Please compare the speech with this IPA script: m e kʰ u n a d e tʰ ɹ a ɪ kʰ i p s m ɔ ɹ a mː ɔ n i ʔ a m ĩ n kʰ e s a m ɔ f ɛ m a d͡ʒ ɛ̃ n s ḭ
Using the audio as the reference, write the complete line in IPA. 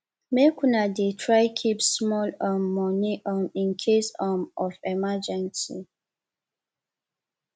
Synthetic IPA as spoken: m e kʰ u n a d e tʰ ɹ a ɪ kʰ i p s m ɔ l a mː ɔ n i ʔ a m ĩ n kʰ e s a m ɔ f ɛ m a d͡ʒ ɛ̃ n s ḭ